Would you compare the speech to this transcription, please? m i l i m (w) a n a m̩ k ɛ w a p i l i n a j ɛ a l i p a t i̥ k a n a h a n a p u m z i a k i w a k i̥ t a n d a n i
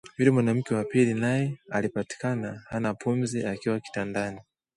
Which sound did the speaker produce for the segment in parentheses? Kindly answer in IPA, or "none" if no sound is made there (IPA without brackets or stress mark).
w